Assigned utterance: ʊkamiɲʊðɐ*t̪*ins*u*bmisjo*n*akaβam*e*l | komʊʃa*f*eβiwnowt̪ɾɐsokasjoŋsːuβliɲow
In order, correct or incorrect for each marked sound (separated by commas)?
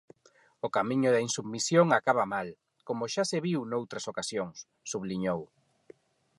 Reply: incorrect, correct, incorrect, incorrect, incorrect